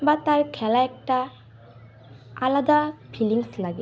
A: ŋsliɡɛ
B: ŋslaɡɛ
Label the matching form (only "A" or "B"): B